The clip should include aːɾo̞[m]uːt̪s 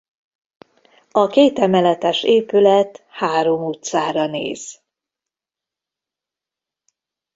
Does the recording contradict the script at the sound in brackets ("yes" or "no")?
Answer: no